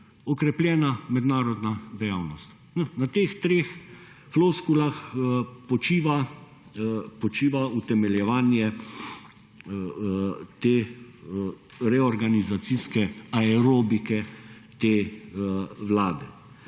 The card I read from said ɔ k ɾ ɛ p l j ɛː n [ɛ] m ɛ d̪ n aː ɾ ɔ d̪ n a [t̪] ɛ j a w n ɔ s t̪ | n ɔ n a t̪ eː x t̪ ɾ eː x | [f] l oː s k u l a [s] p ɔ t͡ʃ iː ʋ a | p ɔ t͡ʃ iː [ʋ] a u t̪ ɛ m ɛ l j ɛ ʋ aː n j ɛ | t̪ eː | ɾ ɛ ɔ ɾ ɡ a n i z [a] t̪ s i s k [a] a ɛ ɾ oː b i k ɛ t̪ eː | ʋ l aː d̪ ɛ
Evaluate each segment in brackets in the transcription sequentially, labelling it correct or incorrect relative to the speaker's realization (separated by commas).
incorrect, incorrect, correct, incorrect, correct, correct, incorrect